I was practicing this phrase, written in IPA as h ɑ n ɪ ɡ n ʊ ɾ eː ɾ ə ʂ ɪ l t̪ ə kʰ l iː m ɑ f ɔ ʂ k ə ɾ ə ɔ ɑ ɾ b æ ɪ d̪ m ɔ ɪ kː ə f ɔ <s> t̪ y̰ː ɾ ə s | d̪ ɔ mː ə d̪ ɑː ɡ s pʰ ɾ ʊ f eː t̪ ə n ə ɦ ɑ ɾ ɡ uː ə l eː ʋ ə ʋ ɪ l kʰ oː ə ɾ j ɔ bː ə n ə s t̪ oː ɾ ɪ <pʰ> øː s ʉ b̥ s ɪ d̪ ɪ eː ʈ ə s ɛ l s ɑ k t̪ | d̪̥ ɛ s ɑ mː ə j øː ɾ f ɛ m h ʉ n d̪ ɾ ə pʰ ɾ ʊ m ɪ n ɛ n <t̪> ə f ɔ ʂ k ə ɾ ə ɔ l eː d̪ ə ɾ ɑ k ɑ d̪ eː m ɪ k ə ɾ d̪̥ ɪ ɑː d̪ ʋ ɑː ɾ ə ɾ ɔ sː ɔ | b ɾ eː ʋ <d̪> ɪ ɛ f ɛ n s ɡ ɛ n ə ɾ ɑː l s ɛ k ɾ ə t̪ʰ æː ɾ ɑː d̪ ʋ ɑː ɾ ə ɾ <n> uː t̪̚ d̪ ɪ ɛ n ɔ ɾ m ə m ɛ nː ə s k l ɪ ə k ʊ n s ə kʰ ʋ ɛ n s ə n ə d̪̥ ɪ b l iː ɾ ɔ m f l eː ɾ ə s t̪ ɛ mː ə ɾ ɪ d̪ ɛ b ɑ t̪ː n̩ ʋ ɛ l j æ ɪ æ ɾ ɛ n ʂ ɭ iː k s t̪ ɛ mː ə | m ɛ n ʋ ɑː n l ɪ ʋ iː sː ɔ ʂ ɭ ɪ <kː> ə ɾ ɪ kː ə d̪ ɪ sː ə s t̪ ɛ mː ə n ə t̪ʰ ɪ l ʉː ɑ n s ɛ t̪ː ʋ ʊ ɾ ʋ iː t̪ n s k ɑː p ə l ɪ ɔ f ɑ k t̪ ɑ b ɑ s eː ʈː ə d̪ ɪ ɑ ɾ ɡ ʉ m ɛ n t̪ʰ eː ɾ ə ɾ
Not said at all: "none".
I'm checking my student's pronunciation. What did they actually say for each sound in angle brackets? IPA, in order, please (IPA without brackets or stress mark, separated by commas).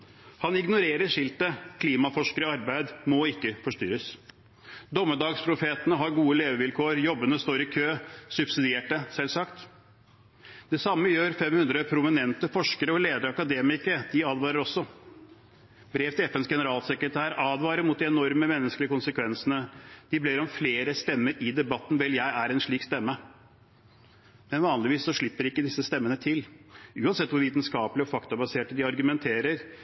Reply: ʂ, kʰ, t̪, t̪, m, pː